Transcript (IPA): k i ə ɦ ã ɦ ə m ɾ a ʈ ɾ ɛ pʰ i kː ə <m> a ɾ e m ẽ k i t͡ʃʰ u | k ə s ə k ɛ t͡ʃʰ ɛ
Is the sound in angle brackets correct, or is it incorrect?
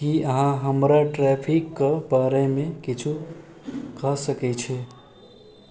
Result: incorrect